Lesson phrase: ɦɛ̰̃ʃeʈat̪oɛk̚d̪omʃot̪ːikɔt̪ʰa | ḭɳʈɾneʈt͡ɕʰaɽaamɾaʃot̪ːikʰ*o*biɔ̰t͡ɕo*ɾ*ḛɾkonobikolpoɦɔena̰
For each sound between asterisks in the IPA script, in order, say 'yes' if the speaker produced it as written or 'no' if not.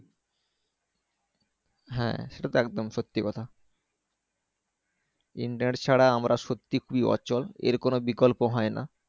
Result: no, no

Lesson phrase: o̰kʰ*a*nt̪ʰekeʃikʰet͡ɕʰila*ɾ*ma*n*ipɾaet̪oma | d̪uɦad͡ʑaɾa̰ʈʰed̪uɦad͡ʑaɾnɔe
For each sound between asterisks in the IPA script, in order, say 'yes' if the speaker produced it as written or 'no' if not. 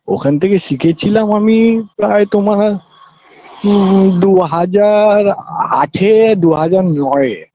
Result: yes, no, no

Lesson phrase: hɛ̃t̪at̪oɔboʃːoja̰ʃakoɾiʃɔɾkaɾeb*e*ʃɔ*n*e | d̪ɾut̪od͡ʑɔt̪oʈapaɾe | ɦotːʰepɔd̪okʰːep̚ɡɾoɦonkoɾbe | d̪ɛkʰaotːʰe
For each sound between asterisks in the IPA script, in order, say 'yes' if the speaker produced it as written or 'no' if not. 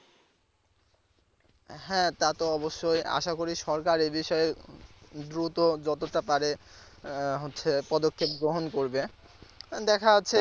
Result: no, no

